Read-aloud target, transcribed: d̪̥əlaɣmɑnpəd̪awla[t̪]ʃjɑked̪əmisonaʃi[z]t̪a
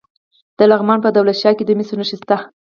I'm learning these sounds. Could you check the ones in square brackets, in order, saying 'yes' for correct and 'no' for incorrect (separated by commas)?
yes, no